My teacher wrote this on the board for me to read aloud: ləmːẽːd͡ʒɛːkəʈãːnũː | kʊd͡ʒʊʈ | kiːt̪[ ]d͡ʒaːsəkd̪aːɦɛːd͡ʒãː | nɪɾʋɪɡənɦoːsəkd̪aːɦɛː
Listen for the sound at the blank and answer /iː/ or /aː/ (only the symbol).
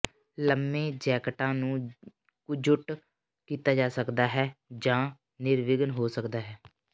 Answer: aː